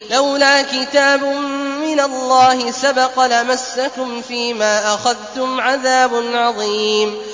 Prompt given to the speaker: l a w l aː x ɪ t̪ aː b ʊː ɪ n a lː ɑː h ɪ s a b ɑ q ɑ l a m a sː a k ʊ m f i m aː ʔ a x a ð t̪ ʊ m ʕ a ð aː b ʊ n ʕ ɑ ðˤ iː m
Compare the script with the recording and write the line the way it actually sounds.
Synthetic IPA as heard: l a w l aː k ɪ t̪ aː b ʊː ɪ n a lː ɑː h ɪ s a b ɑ q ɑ l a m a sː a k ʊ m f iː m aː ʔ a x a ð t̪ ʊ m ʕ a ð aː b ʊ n ʕ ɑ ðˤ iː m